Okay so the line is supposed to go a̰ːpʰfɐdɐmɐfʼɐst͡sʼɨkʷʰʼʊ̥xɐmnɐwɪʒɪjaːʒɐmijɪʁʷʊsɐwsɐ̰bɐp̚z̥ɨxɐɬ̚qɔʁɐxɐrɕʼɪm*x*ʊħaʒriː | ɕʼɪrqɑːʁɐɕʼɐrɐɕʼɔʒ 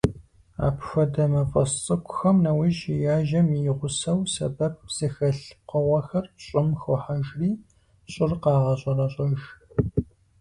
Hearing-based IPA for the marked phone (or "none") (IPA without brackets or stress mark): x